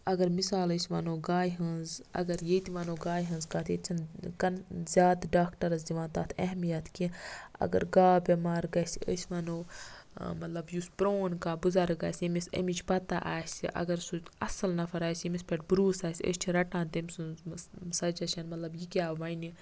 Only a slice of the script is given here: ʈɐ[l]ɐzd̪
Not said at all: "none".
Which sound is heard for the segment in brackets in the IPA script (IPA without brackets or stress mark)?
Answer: ɾ